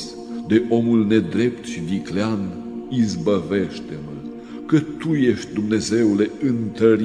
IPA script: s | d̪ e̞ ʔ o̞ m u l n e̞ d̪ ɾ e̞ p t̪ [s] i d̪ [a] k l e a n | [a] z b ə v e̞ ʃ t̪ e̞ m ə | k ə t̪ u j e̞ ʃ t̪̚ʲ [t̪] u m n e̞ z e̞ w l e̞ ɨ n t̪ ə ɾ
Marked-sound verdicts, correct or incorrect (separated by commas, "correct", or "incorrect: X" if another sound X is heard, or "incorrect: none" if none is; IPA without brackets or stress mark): incorrect: ʃ, incorrect: i, incorrect: i, incorrect: d̪